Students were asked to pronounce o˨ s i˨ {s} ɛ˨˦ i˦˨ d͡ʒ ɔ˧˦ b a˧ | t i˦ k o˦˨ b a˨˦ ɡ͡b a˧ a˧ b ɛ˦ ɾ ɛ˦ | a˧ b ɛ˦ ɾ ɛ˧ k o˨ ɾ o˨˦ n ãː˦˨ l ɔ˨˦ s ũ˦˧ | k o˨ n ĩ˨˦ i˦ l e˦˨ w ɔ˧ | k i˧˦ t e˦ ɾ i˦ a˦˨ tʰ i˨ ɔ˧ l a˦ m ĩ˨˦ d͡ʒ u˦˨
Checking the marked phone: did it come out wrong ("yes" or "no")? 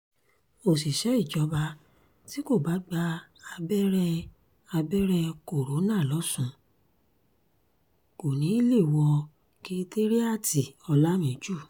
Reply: yes